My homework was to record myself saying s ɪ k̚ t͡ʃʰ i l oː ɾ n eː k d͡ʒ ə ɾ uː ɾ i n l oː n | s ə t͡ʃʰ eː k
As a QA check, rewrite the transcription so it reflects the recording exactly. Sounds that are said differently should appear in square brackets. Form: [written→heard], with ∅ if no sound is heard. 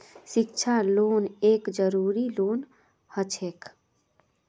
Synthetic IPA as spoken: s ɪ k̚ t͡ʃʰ [i→a] l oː [ɾ→∅] n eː k d͡ʒ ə ɾ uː ɾ i [n→∅] l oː n | [s→h] ə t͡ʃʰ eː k

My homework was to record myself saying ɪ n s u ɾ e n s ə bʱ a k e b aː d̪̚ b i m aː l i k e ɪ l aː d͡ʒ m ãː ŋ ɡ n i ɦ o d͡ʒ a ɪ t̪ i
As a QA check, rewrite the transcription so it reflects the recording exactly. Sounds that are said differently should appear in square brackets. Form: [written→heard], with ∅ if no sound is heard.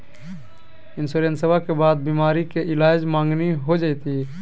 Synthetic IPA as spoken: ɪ n s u ɾ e n s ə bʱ a k e b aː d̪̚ b i m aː [l→ɾ] i k e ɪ l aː d͡ʒ m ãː ŋ ɡ n i ɦ o d͡ʒ a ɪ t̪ i

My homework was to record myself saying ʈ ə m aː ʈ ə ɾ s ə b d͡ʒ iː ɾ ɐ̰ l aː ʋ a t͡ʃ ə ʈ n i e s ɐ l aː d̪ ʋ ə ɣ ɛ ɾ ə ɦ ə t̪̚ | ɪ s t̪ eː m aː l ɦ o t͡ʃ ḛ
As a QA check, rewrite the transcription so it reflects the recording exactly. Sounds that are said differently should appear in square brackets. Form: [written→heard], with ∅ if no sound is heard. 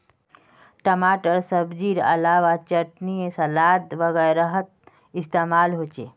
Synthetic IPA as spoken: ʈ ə m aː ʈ ə ɾ s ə b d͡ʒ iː ɾ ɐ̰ l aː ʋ a t͡ʃ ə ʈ n i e s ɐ l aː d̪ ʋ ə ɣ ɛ ɾ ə ɦ ə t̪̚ | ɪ s t̪ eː m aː l ɦ o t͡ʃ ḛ

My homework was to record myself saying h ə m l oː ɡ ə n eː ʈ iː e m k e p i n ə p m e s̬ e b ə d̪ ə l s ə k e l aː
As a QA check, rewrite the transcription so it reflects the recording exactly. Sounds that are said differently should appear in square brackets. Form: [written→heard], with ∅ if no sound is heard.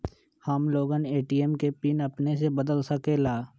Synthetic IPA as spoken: h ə m l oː ɡ ə n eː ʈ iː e m k e p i n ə p [m→n] e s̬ e b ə d̪ ə l s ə k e l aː

